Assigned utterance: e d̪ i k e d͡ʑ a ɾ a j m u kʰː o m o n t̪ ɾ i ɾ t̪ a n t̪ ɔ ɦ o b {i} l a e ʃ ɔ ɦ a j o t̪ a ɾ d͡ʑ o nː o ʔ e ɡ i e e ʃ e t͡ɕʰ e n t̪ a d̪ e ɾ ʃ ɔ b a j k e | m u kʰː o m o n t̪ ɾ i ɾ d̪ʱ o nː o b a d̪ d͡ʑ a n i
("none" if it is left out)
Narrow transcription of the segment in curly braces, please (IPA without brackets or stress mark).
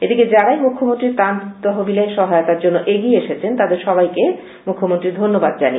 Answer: i